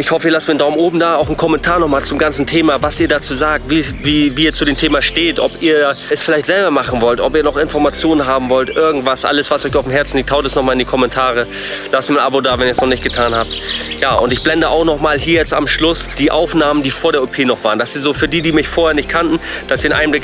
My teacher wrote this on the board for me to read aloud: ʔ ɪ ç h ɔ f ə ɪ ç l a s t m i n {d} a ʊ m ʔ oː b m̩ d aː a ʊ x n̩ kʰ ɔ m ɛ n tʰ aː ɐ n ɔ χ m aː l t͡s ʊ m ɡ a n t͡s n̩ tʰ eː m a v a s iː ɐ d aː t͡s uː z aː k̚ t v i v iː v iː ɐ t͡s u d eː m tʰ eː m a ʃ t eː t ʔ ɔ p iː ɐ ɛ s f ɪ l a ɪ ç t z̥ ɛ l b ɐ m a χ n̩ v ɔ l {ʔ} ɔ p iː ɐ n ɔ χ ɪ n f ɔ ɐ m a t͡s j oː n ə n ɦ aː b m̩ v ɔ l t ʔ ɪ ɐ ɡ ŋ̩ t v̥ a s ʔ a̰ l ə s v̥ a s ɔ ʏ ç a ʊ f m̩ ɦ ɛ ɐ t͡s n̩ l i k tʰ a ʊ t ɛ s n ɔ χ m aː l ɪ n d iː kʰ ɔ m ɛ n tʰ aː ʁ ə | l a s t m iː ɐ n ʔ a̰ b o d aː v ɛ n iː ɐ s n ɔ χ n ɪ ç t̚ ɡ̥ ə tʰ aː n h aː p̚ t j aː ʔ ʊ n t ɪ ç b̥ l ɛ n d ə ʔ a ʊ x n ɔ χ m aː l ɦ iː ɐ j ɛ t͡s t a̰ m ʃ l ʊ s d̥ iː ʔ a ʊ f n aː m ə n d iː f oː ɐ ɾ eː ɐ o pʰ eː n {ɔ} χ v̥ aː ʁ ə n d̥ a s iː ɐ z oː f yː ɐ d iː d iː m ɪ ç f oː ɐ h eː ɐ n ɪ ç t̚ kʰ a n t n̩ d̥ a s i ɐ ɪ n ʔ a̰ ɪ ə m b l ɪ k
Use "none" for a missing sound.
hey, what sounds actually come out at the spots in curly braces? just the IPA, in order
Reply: d, t, ɔ

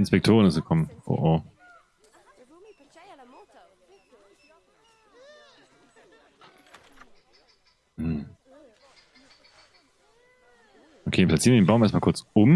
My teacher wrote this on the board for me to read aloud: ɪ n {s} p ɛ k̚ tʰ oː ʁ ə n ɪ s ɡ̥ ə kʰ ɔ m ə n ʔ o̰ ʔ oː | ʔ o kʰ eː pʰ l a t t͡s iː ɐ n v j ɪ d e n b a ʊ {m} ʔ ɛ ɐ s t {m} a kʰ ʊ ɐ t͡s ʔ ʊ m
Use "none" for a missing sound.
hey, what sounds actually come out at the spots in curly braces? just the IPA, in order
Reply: s, m, m

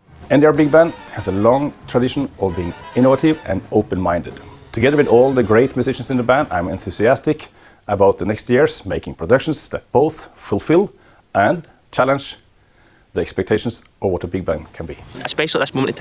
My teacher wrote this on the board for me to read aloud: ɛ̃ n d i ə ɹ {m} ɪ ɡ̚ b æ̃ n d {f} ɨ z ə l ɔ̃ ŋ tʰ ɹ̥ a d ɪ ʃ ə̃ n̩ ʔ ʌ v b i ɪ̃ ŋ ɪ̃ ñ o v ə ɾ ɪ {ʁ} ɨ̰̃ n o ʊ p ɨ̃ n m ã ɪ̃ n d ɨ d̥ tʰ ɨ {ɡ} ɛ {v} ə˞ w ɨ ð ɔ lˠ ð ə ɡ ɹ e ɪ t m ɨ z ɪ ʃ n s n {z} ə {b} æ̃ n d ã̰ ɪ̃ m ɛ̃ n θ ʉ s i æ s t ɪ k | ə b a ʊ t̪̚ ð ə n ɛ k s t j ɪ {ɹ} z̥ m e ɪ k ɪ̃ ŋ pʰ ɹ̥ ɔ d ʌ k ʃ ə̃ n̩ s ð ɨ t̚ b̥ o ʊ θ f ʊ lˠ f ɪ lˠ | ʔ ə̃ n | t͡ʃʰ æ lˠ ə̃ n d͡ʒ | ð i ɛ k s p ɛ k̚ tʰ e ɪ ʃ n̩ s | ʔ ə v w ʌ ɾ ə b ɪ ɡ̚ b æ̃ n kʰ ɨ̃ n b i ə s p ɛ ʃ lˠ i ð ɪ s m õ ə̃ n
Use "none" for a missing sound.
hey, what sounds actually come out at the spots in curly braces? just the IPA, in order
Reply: b, h, v, ɡ, ð, ð, b, ɹ

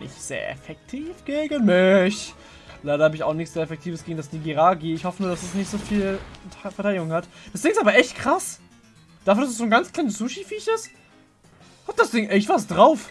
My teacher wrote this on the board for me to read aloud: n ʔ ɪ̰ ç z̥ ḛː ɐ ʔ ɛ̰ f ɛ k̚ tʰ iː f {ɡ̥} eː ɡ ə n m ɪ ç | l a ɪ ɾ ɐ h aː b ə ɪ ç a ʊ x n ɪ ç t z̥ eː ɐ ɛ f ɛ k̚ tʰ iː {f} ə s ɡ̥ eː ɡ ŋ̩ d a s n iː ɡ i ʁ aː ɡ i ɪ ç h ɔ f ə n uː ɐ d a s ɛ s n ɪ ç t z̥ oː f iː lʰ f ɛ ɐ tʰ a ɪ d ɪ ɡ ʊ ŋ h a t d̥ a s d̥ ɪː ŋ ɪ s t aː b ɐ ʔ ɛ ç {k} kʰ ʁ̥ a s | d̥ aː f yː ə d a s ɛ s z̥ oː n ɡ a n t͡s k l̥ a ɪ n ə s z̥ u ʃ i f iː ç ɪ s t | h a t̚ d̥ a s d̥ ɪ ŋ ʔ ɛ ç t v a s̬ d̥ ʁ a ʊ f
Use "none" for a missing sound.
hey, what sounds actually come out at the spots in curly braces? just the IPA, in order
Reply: ɡ̥, v, t

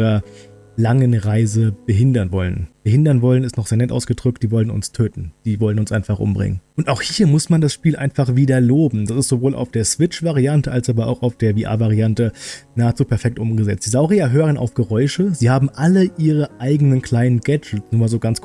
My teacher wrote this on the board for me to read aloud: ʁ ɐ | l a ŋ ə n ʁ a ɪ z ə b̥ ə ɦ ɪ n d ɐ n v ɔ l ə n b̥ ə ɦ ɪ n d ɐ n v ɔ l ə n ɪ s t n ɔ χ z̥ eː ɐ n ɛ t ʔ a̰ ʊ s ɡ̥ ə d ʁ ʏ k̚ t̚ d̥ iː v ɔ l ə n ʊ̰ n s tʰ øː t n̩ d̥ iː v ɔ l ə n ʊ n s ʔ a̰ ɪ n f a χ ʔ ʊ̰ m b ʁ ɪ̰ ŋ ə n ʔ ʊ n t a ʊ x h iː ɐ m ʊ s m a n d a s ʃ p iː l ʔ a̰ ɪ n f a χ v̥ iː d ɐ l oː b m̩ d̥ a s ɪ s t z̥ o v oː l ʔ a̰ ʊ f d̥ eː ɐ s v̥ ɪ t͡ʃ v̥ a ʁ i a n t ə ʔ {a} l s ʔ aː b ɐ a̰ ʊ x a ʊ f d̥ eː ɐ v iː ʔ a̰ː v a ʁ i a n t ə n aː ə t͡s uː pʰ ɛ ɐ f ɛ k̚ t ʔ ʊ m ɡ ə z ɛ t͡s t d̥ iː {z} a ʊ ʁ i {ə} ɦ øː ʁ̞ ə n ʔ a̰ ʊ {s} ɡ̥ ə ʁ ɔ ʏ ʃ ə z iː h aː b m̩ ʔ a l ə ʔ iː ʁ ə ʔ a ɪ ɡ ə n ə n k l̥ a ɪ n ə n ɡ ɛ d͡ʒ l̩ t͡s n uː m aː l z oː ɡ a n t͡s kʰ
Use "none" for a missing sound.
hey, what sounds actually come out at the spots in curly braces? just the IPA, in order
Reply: a, z, a, f

